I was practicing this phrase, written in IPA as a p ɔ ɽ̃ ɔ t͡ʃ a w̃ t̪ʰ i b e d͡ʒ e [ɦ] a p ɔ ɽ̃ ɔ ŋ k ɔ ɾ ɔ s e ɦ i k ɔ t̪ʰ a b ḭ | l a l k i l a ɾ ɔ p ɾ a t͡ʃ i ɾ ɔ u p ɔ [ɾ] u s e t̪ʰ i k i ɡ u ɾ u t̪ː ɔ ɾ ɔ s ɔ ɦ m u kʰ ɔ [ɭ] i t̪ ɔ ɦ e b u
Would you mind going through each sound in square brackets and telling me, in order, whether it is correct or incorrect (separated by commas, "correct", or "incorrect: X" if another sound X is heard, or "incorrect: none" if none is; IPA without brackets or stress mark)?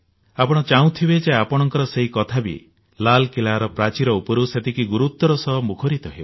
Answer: incorrect: none, correct, incorrect: ɾ